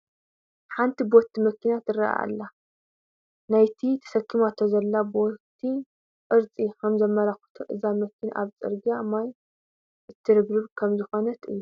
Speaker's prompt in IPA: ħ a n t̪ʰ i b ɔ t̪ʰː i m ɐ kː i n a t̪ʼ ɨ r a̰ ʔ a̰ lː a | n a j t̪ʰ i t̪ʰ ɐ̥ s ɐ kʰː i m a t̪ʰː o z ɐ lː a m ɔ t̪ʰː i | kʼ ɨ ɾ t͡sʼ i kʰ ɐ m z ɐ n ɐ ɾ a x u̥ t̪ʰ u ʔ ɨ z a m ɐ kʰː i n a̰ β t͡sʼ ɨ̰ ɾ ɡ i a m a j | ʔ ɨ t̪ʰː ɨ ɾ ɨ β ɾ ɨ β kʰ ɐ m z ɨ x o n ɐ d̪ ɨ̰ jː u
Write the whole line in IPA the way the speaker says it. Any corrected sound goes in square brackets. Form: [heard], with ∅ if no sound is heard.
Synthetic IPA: ħ a n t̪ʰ i b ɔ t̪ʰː i m ɐ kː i n a [t̪] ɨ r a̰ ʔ a̰ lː a | n a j t̪ʰ i t̪ʰ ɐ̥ s ɐ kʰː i m a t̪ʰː o z ɐ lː a [b] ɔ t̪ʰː i | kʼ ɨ ɾ t͡sʼ i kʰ ɐ m z ɐ [m] ɐ ɾ a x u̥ t̪ʰ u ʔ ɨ z a m ɐ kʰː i n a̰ β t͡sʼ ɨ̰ ɾ ɡ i a m a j | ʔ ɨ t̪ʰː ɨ ɾ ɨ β ɾ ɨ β kʰ ɐ m z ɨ x o n ɐ [t̪] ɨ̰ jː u